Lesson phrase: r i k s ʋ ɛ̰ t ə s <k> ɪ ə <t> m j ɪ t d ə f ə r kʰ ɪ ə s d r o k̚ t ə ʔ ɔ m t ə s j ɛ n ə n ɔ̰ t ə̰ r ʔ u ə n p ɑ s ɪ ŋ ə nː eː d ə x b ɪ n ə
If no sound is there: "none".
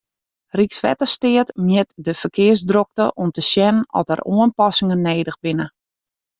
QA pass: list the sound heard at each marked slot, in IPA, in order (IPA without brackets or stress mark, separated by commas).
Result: t, t